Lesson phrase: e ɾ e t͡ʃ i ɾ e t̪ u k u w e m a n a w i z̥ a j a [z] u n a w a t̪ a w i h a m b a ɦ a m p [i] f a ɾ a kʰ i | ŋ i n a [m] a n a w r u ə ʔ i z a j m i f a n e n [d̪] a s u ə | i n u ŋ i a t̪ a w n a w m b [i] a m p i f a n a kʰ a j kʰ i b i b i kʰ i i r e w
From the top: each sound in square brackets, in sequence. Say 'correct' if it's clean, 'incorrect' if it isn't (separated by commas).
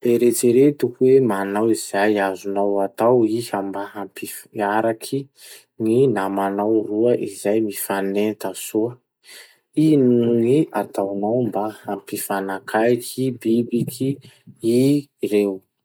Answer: correct, correct, correct, incorrect, incorrect